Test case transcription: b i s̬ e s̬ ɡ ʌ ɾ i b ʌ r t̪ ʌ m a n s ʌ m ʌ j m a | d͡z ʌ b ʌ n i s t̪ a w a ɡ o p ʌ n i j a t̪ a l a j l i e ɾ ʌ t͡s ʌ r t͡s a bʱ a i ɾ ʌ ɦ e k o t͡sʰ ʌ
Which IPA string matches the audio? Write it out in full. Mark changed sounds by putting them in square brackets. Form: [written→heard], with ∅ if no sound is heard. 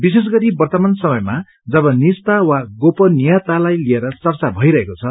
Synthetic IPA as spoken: b i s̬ e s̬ ɡ ʌ ɾ i b ʌ r t̪ ʌ m a n s ʌ m ʌ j m a | d͡z ʌ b ʌ n i s t̪ a w a ɡ o p ʌ n i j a t̪ a l a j l i e ɾ ʌ t͡s ʌ r t͡s a bʱ [a→ʌ] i ɾ ʌ ɦ e k o t͡sʰ ʌ

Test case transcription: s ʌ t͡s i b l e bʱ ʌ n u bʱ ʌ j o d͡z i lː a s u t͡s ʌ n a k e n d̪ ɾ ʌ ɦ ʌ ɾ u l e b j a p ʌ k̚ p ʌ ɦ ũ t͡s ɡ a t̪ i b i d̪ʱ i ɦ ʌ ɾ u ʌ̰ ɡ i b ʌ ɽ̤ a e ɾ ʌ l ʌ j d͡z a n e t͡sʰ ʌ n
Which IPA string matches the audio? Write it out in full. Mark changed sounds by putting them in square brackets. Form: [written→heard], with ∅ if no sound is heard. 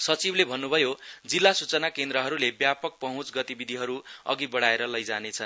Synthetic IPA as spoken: s ʌ t͡s i b l e bʱ ʌ [n→nː] u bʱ ʌ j o d͡z i lː a s u t͡s ʌ n a k e n d̪ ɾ ʌ ɦ ʌ ɾ u l e b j a p ʌ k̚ p ʌ ɦ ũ t͡s ɡ [a→ʌ] t̪ i b i d̪ʱ i ɦ ʌ ɾ u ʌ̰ ɡ i b ʌ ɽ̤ a e ɾ ʌ l ʌ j d͡z a n e t͡sʰ ʌ n

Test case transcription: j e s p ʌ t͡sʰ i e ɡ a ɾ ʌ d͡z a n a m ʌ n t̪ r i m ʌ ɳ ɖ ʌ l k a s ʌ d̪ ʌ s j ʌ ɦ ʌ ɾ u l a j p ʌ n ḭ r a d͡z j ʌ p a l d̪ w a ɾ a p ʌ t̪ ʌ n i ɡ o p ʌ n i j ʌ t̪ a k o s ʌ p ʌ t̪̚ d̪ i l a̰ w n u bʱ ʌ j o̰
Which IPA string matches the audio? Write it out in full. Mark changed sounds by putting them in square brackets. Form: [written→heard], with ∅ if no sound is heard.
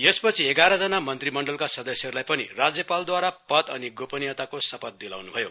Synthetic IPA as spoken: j e s p ʌ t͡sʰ i e ɡ a ɾ ʌ d͡z [a→ʌ] n a m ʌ n t̪ r i m ʌ ɳ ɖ ʌ l k a s ʌ d̪ ʌ s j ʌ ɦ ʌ ɾ u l a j p ʌ n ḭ r a d͡z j ʌ p a l d̪ w a ɾ a p ʌ t̪ ʌ n i ɡ o p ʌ n i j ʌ t̪ a k o s ʌ p ʌ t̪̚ d̪ i l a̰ w n u bʱ ʌ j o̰

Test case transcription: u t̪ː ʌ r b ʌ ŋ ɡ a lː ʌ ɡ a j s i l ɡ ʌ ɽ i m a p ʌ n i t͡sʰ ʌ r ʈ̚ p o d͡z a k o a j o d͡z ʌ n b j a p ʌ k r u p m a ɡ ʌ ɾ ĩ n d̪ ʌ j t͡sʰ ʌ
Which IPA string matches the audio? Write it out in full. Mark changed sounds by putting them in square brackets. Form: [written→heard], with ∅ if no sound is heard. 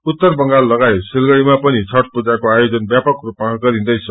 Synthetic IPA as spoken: u t̪ː ʌ r b ʌ ŋ ɡ a lː ʌ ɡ a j s i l ɡ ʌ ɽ i m a p ʌ n i t͡sʰ ʌ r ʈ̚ p [o→u] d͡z a k o a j o d͡z ʌ n b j a p ʌ k r u p m a ɡ ʌ ɾ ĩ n d̪ ʌ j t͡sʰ ʌ

